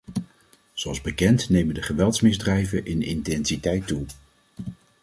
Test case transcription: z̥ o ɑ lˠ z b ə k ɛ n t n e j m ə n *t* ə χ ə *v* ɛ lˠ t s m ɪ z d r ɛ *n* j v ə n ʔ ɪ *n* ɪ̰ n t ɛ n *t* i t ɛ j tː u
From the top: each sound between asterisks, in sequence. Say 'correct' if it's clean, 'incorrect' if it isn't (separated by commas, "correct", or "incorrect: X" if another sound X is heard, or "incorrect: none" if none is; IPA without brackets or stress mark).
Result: incorrect: d, incorrect: ʋ, incorrect: none, correct, incorrect: s